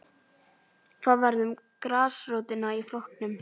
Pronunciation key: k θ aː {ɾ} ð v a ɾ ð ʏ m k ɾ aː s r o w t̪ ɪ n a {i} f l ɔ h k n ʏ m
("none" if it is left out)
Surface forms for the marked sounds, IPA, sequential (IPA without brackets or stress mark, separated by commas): none, i